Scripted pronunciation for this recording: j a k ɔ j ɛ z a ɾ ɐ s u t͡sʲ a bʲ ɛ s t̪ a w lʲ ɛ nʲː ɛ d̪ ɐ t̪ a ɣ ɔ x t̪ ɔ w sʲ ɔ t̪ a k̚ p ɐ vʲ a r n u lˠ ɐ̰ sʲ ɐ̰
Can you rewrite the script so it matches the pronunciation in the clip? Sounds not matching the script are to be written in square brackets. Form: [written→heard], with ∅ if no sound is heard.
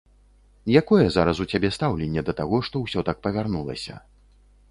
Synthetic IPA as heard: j a k ɔ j ɛ z a ɾ ɐ s u t͡sʲ a bʲ ɛ s t̪ a w lʲ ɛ nʲː ɛ d̪ ɐ t̪ a ɣ ɔ [x→ʂ] t̪ ɔ w sʲ ɔ t̪ a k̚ p ɐ vʲ a r n u lˠ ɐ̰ sʲ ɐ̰